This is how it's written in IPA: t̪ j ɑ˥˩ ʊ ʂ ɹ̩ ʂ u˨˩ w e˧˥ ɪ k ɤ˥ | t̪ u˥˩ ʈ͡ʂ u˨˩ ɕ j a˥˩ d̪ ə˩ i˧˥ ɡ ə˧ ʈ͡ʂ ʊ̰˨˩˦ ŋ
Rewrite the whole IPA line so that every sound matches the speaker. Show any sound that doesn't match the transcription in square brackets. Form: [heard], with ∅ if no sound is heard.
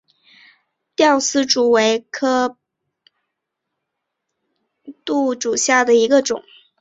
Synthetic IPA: t̪ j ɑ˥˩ ʊ [s] ɹ̩ [ʈ͡ʂ] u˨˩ w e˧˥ ɪ [kʰ] ɤ˥ | t̪ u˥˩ ʈ͡ʂ u˨˩ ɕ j a˥˩ d̪ ə˩ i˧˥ ɡ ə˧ ʈ͡ʂ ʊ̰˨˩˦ ŋ